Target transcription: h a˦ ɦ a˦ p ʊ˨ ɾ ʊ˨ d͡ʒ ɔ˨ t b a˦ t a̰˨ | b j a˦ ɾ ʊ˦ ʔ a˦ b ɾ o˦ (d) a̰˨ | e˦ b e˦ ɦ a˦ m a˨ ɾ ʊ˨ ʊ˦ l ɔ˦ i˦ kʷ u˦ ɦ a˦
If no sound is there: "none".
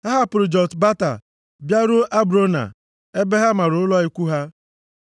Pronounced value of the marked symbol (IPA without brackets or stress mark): n